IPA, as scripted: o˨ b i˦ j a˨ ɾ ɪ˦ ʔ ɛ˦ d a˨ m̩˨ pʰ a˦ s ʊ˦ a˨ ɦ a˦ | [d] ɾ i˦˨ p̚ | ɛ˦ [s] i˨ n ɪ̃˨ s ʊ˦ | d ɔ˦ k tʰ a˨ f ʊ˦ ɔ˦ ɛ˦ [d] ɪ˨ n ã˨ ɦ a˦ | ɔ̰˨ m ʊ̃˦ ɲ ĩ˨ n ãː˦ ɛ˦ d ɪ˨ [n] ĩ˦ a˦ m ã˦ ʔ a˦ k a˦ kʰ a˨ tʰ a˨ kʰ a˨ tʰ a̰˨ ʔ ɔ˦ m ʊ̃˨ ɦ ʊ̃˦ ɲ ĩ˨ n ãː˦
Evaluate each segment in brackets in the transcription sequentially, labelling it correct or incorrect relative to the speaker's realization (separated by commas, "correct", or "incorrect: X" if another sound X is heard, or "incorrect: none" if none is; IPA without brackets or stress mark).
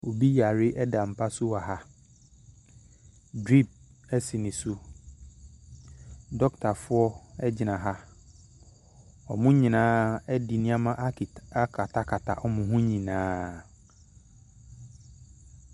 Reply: correct, correct, incorrect: d͡ʑ, correct